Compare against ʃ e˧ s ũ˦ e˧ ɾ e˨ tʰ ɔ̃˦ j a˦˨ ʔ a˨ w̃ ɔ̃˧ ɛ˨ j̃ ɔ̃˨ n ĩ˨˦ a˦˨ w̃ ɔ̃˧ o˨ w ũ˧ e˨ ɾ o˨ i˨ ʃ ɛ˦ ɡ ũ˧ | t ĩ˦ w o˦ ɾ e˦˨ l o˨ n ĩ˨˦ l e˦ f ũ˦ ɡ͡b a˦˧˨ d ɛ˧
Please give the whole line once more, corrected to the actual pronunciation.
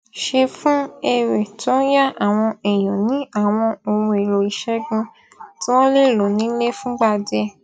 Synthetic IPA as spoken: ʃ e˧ f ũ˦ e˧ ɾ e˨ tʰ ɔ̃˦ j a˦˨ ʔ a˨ w̃ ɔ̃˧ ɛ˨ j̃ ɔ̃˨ n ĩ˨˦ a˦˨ w̃ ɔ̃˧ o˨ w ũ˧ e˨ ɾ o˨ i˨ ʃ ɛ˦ ɡ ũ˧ | t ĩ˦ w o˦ l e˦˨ l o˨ n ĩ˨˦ l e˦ f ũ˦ ɡ͡b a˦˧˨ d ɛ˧

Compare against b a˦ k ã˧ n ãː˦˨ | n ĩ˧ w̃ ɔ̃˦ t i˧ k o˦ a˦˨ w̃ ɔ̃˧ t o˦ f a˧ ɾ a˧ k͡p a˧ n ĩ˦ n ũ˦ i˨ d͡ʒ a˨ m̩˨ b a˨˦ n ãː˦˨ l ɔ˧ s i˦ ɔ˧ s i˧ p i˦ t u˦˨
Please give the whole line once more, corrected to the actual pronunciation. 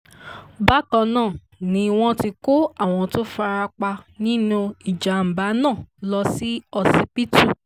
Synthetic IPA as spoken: b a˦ k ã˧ n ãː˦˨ | n ĩ˧ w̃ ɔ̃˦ t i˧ k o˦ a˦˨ w̃ ɔ̃˧ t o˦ f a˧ ɾ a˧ k͡p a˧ n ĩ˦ n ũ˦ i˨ d͡ʒ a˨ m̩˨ b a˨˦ n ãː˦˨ l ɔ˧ s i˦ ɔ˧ s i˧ p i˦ t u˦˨

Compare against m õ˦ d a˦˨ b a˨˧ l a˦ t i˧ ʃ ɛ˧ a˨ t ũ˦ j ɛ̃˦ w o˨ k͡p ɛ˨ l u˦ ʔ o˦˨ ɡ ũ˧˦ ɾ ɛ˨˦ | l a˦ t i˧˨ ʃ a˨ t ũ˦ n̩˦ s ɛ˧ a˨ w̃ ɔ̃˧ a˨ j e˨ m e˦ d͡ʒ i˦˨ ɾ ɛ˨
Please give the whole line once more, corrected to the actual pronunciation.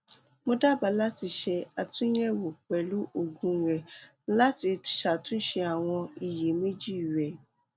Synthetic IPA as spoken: m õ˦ d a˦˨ b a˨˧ l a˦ t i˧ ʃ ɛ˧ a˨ t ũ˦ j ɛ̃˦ w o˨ k͡p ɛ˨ l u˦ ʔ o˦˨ ɡ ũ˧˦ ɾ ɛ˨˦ | l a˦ t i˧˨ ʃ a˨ t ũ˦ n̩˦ ʃ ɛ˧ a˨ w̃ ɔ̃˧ i˨ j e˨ m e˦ d͡ʒ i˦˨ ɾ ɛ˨

